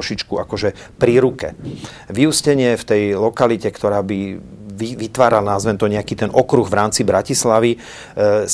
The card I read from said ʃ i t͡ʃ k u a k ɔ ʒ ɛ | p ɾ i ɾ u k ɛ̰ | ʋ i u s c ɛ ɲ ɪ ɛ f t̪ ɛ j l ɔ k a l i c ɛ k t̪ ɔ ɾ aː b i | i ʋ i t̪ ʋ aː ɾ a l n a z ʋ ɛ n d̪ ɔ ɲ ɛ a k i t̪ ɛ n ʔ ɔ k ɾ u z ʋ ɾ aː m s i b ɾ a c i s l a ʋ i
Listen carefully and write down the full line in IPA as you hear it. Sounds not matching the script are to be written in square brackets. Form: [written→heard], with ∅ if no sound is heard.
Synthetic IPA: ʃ i t͡ʃ k u a k ɔ ʒ ɛ | p ɾ i ɾ u k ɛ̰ | ʋ i u s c ɛ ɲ ɪ ɛ f t̪ ɛ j l ɔ k a l i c ɛ k t̪ ɔ ɾ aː b i | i ʋ i t̪ ʋ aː ɾ a l n a z ʋ ɛ n [d̪→t̪] ɔ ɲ ɛ a k i t̪ ɛ n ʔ ɔ k ɾ u [z→ɣ] ʋ ɾ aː m [s→t͡s] i b ɾ a c i s l a ʋ i